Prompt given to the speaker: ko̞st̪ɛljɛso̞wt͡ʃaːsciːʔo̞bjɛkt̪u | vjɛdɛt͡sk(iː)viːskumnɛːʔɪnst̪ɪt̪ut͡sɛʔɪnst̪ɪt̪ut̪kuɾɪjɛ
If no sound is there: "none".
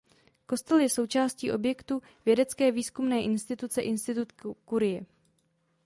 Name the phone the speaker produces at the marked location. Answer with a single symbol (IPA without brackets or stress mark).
ɛː